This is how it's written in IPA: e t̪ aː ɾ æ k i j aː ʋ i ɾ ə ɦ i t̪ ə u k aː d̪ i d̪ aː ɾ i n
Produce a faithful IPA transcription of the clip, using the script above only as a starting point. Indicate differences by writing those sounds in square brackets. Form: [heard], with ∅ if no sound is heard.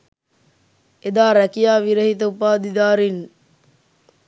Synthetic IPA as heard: e [d̪] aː ɾ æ k i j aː ʋ i ɾ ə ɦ i t̪ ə u [p] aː d̪ i d̪ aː ɾ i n